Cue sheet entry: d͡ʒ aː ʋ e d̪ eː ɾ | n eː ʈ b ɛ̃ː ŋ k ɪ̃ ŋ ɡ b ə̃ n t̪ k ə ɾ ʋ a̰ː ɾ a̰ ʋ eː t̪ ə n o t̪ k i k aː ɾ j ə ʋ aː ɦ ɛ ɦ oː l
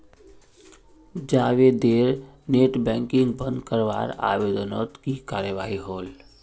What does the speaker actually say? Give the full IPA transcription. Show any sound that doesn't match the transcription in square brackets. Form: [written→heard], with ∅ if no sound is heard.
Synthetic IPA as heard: d͡ʒ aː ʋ e d̪ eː ɾ | n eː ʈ b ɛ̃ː ŋ k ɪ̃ ŋ ɡ b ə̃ n [t̪→d̪] k ə ɾ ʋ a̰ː ɾ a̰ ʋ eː [t̪→d̪] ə n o t̪ k i k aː ɾ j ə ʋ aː ɦ [ɛ→i] ɦ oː l

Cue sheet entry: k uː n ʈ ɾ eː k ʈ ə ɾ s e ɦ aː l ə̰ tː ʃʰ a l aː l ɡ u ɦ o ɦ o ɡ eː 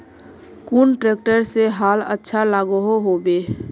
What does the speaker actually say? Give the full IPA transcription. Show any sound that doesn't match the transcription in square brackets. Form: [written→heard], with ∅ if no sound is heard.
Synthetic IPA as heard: k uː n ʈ ɾ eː k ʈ ə ɾ s e ɦ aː l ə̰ tː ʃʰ a l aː [l→∅] ɡ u ɦ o ɦ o [ɡ→b] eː

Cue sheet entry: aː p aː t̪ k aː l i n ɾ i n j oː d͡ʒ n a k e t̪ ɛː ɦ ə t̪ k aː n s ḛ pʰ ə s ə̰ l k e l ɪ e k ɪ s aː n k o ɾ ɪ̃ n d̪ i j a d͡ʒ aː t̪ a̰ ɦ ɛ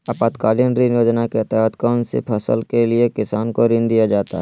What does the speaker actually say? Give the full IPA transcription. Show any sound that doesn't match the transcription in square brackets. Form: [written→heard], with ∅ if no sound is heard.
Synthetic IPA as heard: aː p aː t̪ k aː l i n ɾ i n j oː d͡ʒ n a k e t̪ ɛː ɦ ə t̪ k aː n s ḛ pʰ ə s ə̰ l k e l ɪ e k ɪ s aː n k o ɾ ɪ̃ n d̪ i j a d͡ʒ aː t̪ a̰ ɦ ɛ

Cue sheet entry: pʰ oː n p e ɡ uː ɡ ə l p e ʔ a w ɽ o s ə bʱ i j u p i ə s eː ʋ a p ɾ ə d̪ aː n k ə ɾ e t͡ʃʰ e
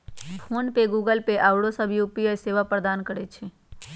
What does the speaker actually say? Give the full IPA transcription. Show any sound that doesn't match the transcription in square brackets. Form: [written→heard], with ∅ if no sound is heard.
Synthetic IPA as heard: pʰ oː n p e ɡ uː ɡ ə l p e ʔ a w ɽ o s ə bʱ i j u p i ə s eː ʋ a p ɾ ə d̪ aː n k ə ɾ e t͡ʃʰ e

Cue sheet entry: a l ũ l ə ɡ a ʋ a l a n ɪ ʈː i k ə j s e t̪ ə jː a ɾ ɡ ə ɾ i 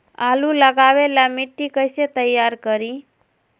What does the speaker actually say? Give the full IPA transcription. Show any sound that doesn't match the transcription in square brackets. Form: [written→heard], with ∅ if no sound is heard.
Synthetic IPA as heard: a l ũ l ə ɡ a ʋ [a→e] l a [n→m] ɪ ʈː i k ə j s e t̪ ə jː a ɾ [ɡ→k] ə ɾ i

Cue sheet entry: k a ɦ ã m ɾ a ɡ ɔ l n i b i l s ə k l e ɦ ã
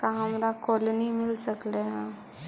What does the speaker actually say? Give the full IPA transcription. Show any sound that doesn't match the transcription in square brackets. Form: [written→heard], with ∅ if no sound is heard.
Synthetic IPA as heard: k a ɦ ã m ɾ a [ɡ→k] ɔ l n i [b→m] i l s ə k l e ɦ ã

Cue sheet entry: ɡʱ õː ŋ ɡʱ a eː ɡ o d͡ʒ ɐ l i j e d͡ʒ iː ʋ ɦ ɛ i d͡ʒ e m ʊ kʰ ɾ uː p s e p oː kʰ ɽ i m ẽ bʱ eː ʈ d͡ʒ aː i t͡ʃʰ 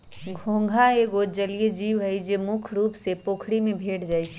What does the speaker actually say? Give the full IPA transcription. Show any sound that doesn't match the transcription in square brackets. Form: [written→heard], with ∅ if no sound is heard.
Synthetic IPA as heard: ɡʱ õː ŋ ɡʱ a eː ɡ o d͡ʒ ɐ l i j e d͡ʒ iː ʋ ɦ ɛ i d͡ʒ e m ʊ kʰ ɾ uː p s e p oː kʰ ɽ i m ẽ bʱ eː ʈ d͡ʒ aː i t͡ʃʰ

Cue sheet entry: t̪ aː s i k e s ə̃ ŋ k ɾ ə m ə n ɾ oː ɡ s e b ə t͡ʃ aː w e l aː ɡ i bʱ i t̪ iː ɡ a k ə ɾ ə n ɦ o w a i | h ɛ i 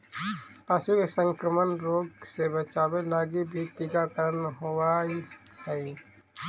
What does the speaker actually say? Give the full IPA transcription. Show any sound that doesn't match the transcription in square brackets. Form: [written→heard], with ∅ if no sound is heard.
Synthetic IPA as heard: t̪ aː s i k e s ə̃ ŋ k ɾ ə m ə n ɾ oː ɡ s e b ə t͡ʃ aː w e l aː ɡ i bʱ i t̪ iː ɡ a k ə ɾ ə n ɦ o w a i | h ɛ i

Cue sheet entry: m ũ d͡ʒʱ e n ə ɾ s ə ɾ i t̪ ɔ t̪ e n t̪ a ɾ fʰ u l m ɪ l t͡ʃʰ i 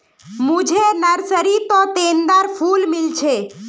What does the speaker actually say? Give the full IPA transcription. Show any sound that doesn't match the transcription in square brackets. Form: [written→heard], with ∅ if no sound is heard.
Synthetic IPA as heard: m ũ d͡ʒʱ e n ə ɾ s ə ɾ i t̪ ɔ t̪ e n [t̪→d̪] a ɾ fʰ u l m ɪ l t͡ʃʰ [i→e]

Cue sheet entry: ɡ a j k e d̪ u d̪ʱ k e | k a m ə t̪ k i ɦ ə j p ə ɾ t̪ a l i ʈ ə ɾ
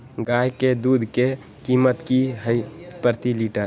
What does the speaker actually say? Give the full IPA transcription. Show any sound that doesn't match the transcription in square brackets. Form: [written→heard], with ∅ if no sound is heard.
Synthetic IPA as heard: ɡ a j k e d̪ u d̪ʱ k e | k [a→i] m ə t̪ k i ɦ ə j p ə ɾ t̪ [a→i] l i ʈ ə ɾ

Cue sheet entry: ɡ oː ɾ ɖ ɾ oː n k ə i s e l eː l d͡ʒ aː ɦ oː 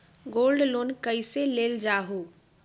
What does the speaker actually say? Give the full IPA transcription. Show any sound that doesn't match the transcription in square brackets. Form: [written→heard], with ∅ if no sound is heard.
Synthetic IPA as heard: ɡ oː [ɾ→l] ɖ [ɾ→l] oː n k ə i s e l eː l d͡ʒ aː ɦ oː

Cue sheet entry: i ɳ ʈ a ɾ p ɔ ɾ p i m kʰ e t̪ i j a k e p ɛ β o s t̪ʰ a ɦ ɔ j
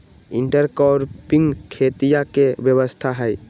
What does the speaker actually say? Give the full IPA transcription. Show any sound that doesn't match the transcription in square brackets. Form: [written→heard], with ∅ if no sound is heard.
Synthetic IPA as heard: i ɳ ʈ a ɾ [p→k] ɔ ɾ p i [m→ŋ] kʰ e t̪ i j a k e [p→b] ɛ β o s t̪ʰ a ɦ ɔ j

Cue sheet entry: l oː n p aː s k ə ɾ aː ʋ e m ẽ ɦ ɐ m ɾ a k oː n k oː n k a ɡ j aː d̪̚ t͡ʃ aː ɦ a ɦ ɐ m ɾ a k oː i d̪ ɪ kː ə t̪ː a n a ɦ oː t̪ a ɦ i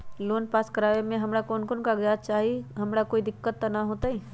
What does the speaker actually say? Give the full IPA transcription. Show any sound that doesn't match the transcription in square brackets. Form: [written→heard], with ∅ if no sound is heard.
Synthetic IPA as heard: l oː n p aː s k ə ɾ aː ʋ e m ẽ ɦ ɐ m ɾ a k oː n k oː n k a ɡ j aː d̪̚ t͡ʃ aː ɦ [a→i] ɦ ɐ m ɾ a k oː i d̪ ɪ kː ə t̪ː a n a ɦ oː t̪ a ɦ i

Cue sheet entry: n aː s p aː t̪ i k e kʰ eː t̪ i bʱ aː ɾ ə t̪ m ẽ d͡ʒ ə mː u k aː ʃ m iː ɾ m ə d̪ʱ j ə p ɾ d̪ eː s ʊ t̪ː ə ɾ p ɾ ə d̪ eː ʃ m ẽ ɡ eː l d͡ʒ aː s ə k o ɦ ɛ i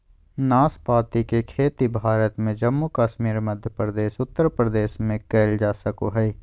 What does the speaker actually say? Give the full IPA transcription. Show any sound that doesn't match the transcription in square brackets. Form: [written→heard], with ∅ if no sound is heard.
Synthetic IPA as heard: n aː s p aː t̪ i k e kʰ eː t̪ i bʱ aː ɾ ə t̪ m ẽ d͡ʒ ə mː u k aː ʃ m iː ɾ m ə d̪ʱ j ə p ɾ d̪ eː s ʊ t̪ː ə ɾ p ɾ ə d̪ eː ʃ m ẽ [ɡ→k] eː l d͡ʒ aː s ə k o ɦ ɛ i

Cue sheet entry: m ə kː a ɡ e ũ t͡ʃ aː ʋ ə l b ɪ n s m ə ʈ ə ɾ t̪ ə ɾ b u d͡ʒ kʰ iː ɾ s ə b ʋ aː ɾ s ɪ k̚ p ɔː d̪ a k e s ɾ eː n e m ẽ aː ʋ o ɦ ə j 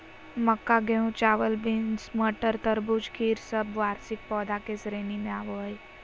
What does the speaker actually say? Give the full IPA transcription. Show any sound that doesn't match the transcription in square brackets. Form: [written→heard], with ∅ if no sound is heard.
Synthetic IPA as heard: m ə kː a ɡ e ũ t͡ʃ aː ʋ ə l b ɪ n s m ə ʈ ə ɾ t̪ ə ɾ b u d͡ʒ kʰ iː ɾ s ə b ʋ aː ɾ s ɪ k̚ p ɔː d̪ a k e s ɾ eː n [e→i] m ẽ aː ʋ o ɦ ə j

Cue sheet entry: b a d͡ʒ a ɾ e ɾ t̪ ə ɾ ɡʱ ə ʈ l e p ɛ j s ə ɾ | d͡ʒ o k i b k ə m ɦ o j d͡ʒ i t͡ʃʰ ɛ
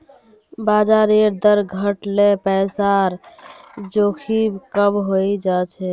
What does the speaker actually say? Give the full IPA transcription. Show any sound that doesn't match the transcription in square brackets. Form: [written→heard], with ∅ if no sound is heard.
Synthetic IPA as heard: b a d͡ʒ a ɾ e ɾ [t̪→d̪] ə ɾ ɡʱ ə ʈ l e p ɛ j s [ə→a] ɾ | d͡ʒ o [k→kʰ] i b k ə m ɦ o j d͡ʒ [i→a] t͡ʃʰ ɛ

